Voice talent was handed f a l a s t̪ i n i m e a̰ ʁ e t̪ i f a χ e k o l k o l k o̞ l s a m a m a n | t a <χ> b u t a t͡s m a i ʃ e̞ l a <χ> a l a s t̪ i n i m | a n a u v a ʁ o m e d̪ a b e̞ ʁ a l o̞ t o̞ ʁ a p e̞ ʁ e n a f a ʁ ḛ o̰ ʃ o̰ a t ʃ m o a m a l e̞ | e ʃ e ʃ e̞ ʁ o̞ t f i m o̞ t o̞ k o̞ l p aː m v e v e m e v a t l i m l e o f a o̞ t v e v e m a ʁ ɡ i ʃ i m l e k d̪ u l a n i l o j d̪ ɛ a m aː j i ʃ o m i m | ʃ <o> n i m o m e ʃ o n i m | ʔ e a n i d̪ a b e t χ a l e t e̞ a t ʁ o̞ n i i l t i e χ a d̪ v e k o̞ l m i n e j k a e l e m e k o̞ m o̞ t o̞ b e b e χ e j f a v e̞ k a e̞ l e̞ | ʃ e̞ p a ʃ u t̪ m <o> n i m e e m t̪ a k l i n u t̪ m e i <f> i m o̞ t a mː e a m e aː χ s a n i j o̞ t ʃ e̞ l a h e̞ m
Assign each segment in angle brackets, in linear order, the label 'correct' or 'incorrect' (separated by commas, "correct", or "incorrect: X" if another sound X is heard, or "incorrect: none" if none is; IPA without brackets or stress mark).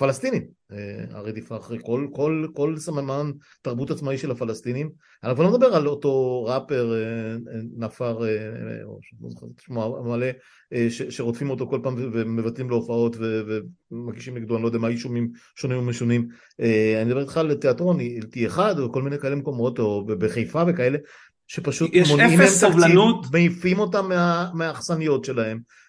incorrect: ʁ, incorrect: f, correct, correct, correct